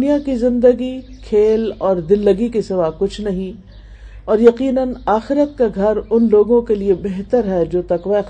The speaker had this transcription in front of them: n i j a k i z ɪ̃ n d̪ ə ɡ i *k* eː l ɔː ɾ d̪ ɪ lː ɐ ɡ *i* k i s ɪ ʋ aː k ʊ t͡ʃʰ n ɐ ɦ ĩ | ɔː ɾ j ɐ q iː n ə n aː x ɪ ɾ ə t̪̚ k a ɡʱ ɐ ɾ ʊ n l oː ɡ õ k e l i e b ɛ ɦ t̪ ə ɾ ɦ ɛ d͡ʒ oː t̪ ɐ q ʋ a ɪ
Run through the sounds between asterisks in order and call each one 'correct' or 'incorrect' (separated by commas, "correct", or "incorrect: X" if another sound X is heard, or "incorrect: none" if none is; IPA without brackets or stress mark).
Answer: incorrect: kʰ, correct